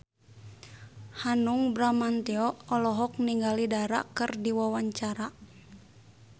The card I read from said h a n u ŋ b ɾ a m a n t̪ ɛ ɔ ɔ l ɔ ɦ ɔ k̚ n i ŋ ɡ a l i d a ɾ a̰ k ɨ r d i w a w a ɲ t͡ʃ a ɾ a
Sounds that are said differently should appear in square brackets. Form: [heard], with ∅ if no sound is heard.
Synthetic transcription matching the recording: h a n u ŋ b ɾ a m a n t̪ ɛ ɔ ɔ l ɔ ɦ ɔ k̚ n i ŋ ɡ a l i d a ɾ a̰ k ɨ r d i w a w a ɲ t͡ʃ a ɾ a